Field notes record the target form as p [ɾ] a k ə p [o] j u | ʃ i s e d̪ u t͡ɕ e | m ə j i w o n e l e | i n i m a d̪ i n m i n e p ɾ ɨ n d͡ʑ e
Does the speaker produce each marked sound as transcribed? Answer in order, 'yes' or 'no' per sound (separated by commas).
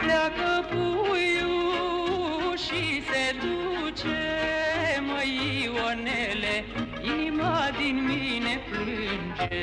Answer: no, no